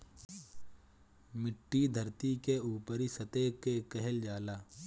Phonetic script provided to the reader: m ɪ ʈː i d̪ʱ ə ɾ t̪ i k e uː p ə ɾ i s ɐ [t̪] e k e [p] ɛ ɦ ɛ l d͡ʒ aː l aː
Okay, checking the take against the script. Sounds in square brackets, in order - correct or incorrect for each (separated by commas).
correct, incorrect